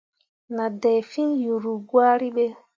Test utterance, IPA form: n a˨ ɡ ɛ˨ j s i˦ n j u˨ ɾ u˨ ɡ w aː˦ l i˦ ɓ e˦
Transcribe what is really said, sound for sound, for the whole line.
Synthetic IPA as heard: n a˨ d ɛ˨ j f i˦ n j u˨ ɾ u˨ ɡ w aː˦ ɾ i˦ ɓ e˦